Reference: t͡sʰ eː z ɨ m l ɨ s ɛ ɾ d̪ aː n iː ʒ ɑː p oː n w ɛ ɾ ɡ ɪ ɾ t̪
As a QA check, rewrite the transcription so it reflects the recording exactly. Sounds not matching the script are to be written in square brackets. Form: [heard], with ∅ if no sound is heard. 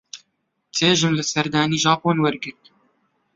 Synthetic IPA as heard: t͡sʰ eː [ʒ] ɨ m l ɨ s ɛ ɾ d̪ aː n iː ʒ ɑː p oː n w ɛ ɾ ɡ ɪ ɾ t̪